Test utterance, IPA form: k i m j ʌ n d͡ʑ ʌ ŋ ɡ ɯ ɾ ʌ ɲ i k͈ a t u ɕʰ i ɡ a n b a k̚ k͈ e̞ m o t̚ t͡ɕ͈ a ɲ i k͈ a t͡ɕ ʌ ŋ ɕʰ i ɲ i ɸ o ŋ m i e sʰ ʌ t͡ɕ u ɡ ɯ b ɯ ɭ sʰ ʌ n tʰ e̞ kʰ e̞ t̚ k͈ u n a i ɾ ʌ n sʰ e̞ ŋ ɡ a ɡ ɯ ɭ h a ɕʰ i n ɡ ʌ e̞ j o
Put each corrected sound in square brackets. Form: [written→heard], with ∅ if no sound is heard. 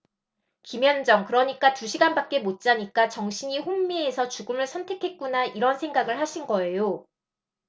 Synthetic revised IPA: k i m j ʌ n d͡ʑ ʌ ŋ [ɡ→k] ɯ ɾ ʌ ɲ i k͈ a t u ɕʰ i ɡ a n b a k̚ k͈ e̞ m o t̚ t͡ɕ͈ a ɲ i k͈ a t͡ɕ ʌ ŋ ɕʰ i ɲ i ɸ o ŋ m i e sʰ ʌ t͡ɕ u ɡ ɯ [b→m] ɯ ɭ sʰ ʌ n tʰ e̞ kʰ e̞ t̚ k͈ u n a i ɾ ʌ n sʰ e̞ ŋ ɡ a ɡ ɯ ɭ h a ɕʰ i n ɡ ʌ e̞ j o